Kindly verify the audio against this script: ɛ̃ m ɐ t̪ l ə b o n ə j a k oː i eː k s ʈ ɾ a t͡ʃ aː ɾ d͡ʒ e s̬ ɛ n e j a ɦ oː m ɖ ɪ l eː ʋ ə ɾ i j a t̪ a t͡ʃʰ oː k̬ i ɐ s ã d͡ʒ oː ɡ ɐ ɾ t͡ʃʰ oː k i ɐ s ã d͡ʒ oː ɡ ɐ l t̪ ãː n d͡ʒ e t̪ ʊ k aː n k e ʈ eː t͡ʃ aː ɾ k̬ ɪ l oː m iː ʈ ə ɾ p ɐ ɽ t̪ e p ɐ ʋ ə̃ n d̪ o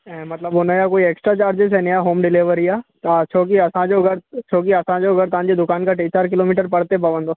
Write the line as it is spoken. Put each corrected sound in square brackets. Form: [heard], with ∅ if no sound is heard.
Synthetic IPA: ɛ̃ m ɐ t̪ l ə b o n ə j a k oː i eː k s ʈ ɾ a t͡ʃ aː ɾ d͡ʒ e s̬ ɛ n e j a ɦ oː m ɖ ɪ l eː ʋ ə ɾ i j a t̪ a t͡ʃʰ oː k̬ i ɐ s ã d͡ʒ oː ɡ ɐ ɾ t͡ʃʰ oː k i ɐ s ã d͡ʒ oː ɡ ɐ [ɾ] t̪ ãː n d͡ʒ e [d̪] ʊ k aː n k [a] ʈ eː t͡ʃ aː ɾ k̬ ɪ l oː m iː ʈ ə ɾ p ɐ ɽ t̪ e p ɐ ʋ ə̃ n d̪ o

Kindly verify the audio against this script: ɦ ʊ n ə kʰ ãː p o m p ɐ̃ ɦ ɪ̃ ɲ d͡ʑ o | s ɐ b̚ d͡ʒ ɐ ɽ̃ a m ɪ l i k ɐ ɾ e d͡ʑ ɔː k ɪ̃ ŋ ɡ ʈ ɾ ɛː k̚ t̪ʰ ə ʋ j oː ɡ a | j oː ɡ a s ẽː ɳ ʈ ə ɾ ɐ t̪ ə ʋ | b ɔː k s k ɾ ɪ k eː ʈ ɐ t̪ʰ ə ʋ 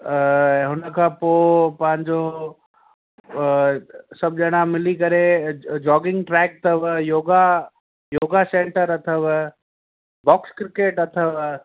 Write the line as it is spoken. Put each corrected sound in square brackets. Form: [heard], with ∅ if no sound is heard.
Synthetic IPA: ɦ ʊ n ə kʰ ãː p o [∅] p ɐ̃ ɦ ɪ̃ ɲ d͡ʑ o | s ɐ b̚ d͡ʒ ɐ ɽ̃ a m ɪ l i k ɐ ɾ e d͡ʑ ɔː [ɡ] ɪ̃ ŋ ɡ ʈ ɾ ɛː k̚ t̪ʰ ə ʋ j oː ɡ a | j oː ɡ a s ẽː ɳ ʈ ə ɾ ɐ [t̪ʰ] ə ʋ | b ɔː k s k ɾ ɪ k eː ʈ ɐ t̪ʰ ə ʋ

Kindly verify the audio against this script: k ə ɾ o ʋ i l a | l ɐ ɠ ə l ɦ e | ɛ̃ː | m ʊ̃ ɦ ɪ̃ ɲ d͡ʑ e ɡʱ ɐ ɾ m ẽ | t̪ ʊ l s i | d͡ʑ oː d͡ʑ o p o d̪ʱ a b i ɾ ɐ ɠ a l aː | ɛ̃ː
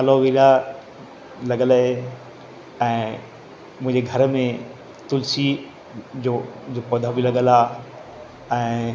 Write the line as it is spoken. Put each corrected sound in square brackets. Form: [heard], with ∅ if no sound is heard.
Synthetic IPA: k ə [l] o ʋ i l a | l ɐ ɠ ə l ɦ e | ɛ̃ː | m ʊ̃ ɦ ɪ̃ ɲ d͡ʑ e ɡʱ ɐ ɾ m ẽ | t̪ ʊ l s i | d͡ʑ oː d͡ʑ o p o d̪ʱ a b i [l] ɐ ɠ [ə] l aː | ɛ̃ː

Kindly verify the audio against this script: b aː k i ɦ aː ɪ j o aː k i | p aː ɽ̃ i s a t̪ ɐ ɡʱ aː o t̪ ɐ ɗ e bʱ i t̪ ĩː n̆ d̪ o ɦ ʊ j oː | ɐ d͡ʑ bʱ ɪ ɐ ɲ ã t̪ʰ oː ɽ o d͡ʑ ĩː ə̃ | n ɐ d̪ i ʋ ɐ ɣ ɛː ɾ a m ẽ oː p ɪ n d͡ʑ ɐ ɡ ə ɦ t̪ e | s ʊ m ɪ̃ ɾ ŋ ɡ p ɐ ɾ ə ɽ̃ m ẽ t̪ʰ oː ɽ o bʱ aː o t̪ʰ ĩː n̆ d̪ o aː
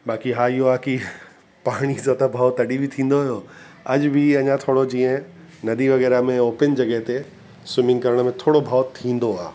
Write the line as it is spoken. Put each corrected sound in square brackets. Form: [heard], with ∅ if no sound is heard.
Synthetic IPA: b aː k i ɦ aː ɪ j o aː k i | p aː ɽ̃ i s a t̪ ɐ [bʱ] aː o t̪ ɐ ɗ [i] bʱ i [t̪ʰ] ĩː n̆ d̪ o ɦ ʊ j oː | ɐ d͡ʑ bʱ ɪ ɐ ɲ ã t̪ʰ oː ɽ o d͡ʑ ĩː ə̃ | n ɐ d̪ i ʋ ɐ ɣ ɛː ɾ a m ẽ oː p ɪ n d͡ʑ ɐ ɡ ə ɦ t̪ e | s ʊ m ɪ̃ [∅] ŋ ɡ [k] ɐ ɾ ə ɽ̃ m ẽ t̪ʰ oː ɽ o bʱ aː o t̪ʰ ĩː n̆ d̪ o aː

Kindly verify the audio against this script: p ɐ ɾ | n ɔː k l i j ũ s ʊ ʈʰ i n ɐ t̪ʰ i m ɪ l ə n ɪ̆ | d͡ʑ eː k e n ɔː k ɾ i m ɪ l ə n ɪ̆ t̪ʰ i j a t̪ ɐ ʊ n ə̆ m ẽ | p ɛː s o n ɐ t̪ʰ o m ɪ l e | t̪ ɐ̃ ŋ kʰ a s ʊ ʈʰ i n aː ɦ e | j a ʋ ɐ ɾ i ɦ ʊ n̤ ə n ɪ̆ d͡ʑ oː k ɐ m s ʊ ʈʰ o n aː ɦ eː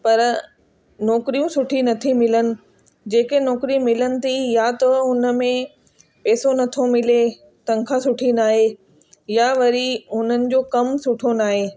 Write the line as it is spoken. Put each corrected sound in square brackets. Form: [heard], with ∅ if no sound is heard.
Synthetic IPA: p ɐ ɾ | n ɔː k [ɾ] i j ũ s ʊ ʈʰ i n ɐ t̪ʰ i m ɪ l ə n ɪ̆ | d͡ʑ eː k e n ɔː k ɾ i m ɪ l ə n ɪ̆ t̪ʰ i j a t̪ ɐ ʊ n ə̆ m ẽ | p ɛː s o n ɐ t̪ʰ o m ɪ l e | t̪ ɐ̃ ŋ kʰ a s ʊ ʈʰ i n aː ɦ e | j a ʋ ɐ ɾ i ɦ ʊ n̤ ə n ɪ̆ d͡ʑ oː k ɐ m s ʊ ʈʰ o n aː ɦ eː

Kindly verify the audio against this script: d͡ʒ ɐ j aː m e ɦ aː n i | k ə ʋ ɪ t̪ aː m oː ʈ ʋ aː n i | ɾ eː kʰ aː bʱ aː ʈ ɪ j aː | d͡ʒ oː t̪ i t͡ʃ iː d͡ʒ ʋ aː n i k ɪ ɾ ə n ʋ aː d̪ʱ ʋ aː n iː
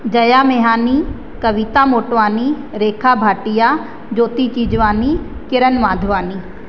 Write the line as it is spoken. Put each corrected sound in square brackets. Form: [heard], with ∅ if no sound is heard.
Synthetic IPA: d͡ʒ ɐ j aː m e ɦ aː n i | k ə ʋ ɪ t̪ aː m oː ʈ ʋ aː n i | ɾ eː kʰ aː bʱ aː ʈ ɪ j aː | d͡ʒ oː t̪ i t͡ʃ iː d͡ʒ ʋ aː n i k ɪ ɾ ə n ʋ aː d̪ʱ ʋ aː n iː

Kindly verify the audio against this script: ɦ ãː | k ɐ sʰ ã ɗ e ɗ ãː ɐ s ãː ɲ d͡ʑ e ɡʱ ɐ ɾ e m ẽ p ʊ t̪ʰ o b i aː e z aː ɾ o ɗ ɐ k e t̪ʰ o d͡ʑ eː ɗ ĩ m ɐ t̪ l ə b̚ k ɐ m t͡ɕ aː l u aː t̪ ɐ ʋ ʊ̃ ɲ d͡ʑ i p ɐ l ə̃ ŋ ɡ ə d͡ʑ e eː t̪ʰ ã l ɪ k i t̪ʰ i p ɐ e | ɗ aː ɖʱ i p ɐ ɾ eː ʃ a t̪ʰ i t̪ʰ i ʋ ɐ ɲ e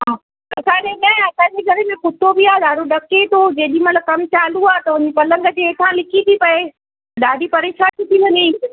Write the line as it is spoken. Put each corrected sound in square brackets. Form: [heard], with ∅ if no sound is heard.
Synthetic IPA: ɦ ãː | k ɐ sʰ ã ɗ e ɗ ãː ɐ s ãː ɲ d͡ʑ e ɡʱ ɐ ɾ e m ẽ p ʊ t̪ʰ o b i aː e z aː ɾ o ɗ ɐ k e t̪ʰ o d͡ʑ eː ɗ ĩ m ɐ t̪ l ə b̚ k ɐ m t͡ɕ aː l u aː t̪ ɐ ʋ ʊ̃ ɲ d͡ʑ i p ɐ l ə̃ ŋ ɡ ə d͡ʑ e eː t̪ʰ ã l ɪ k i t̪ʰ i p ɐ e | ɗ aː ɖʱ i p ɐ ɾ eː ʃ a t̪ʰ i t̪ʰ i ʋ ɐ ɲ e

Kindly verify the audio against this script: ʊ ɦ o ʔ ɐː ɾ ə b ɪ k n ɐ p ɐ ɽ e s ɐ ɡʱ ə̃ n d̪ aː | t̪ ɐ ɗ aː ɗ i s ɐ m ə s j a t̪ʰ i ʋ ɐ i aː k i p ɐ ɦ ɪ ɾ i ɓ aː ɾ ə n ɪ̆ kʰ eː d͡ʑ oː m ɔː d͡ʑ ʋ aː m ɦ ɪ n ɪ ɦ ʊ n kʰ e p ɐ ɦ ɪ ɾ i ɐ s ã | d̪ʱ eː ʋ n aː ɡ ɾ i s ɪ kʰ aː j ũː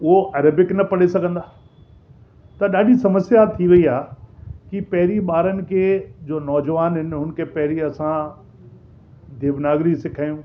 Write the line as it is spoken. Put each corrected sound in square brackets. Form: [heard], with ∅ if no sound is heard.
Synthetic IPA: ʊ ɦ o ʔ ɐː ɾ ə b ɪ k n ɐ p ɐ ɽ e s ɐ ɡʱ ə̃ n d̪ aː | t̪ ɐ ɗ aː ɗ i s ɐ m ə s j a t̪ʰ i ʋ ɐ i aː k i p ɐ ɦ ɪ ɾ i ɓ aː ɾ ə n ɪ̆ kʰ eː d͡ʑ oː [n] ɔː d͡ʑ ʋ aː [n] ɦ ɪ n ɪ ɦ ʊ n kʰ e p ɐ ɦ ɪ ɾ i ɐ s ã | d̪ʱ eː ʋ n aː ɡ ɾ i s ɪ kʰ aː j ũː

